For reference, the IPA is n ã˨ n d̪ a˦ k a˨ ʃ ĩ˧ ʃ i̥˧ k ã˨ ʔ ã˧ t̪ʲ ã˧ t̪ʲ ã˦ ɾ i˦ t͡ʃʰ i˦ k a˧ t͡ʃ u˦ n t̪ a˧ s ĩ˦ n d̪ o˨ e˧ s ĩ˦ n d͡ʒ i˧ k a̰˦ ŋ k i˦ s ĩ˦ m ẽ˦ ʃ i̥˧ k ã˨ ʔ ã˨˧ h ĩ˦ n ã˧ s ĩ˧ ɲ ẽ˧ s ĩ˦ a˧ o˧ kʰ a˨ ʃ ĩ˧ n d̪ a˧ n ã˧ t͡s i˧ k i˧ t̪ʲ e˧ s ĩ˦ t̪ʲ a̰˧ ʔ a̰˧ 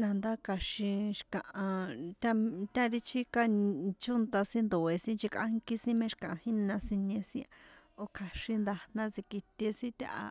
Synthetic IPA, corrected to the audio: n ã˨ n d̪ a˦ k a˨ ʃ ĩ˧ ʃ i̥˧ k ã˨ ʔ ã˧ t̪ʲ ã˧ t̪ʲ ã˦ ɾ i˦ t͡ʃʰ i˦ k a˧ t͡ʃ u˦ n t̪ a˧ s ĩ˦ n d̪ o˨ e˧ s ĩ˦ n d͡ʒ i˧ k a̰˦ ŋ k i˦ s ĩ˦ m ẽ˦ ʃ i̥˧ k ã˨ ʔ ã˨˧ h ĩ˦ n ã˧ s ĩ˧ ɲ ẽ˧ s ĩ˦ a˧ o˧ kʰ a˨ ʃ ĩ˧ n d̪ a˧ n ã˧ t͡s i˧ k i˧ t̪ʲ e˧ s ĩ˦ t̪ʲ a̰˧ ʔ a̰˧